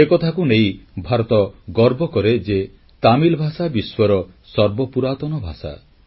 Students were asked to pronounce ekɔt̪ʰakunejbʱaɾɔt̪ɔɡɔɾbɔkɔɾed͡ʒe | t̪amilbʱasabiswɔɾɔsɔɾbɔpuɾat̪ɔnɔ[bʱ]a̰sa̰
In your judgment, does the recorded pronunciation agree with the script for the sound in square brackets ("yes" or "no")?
yes